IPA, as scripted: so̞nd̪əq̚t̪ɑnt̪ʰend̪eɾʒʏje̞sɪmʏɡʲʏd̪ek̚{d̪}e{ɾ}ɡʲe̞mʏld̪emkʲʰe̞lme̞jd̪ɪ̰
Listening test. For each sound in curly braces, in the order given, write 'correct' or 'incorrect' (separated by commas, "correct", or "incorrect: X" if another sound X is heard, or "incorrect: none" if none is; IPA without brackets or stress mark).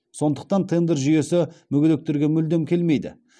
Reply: incorrect: t̪, correct